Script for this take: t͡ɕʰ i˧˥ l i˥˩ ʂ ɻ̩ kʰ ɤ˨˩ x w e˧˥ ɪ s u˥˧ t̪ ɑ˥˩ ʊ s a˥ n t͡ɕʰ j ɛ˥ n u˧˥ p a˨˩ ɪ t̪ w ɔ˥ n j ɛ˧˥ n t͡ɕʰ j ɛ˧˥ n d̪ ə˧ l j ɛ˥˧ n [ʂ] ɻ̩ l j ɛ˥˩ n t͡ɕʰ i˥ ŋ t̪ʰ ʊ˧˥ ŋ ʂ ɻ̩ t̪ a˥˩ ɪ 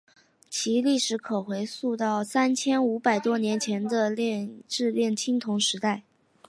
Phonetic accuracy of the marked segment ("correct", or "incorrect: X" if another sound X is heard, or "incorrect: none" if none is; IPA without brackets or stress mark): incorrect: ʈ͡ʂ